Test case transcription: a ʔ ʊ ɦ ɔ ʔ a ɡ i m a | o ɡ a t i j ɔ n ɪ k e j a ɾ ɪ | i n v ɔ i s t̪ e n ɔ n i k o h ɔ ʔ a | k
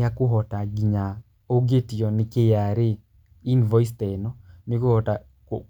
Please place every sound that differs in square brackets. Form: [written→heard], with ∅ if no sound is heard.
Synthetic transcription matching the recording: a [ʔ→k] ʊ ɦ ɔ [ʔ→t] a ɡ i [m→ɲ] a | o ɡ [a→e] t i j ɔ n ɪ k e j a ɾ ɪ | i n v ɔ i s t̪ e n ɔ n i k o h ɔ [ʔ→t] a | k